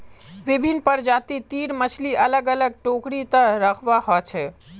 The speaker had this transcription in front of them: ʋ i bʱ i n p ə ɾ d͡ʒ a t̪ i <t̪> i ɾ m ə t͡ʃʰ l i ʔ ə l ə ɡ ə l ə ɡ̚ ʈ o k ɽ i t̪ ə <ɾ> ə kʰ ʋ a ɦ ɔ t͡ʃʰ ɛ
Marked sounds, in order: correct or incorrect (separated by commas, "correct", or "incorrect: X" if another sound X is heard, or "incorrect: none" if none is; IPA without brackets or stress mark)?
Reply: correct, correct